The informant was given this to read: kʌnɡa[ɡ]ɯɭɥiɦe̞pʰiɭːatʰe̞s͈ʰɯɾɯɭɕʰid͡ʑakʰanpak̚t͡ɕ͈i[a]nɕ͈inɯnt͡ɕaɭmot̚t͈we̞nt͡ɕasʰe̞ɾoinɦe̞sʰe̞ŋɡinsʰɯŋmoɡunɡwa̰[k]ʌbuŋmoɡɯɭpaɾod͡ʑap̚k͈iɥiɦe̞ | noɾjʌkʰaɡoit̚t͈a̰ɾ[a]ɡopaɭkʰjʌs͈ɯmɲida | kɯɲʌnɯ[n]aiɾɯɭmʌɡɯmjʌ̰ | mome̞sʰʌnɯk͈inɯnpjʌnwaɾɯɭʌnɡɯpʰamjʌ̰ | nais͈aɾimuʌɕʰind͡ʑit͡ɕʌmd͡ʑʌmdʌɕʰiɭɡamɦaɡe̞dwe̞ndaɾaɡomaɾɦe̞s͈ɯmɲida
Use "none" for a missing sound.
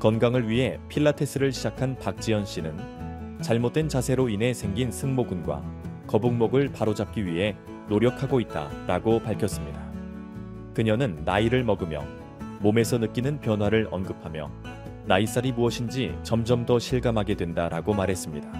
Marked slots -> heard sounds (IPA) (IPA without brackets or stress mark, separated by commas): ŋ, ʌ, k, a, nː